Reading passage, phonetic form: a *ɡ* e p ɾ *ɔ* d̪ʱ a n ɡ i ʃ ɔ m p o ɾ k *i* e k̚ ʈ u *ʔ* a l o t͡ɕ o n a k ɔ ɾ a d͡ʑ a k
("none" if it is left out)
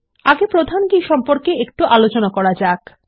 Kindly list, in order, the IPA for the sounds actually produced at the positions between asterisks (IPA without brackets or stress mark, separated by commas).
ɡ, o, e, ʔ